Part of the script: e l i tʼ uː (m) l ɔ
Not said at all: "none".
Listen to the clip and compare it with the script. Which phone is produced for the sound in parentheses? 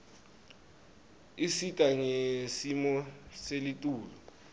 none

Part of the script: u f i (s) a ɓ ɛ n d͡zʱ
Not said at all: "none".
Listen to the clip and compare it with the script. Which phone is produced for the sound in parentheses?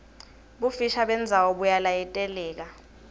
ʃ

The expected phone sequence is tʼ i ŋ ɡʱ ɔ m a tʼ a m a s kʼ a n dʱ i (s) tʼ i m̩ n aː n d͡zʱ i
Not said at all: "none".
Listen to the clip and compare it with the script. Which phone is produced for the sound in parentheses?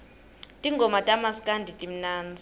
none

